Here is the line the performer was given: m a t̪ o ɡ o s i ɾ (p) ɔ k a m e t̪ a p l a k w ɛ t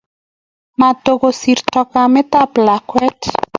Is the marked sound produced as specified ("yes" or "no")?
no